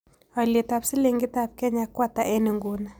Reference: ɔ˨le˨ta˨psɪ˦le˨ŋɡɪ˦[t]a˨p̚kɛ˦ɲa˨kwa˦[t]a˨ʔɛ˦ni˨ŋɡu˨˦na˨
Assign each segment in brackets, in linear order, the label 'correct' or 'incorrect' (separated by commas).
correct, correct